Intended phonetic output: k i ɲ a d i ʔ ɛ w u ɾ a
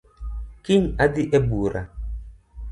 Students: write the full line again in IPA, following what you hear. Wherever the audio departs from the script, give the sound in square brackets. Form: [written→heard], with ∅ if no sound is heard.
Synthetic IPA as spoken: k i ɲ a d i ʔ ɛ [w→b] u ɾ a